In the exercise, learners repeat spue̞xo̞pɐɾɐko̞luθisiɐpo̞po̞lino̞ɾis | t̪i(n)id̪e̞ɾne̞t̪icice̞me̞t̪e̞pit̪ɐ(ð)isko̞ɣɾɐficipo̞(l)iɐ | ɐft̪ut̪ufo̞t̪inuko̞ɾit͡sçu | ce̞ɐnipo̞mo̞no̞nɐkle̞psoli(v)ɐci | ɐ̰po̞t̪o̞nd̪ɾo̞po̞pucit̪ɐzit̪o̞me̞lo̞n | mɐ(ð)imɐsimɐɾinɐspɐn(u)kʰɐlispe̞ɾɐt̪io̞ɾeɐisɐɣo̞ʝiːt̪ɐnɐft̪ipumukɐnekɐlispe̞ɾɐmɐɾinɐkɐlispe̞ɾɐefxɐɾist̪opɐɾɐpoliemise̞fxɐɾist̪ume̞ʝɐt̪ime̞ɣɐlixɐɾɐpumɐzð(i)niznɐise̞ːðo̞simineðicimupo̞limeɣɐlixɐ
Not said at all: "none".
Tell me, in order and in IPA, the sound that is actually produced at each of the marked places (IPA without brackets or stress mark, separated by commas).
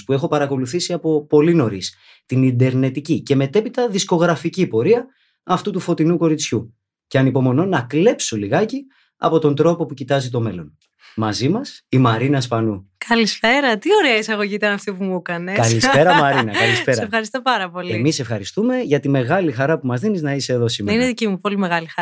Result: n, ð, ɾ, ɣ, z, u, i